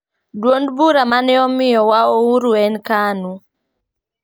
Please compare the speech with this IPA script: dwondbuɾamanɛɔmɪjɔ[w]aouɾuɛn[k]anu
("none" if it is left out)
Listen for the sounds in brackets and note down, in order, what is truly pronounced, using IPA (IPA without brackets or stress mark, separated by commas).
w, k